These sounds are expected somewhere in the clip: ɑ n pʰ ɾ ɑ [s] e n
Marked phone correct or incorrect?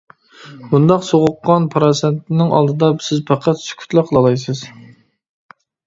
correct